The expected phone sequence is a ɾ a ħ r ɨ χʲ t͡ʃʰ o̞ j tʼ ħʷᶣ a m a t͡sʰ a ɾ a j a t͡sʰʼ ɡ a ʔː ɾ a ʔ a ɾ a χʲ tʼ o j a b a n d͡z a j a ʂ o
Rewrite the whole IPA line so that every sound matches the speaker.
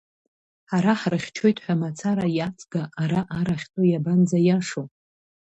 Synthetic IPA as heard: a ɾ a ħ r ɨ χʲ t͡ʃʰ o̞ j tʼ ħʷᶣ a m a t͡sʰ a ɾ a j a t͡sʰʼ ɡ a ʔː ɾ a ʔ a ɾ a χʲ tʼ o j a b a n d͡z a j a ʂ o